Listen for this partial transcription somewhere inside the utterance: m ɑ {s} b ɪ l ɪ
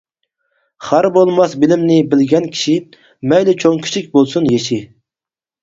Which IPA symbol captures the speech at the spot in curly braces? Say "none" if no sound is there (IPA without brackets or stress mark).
s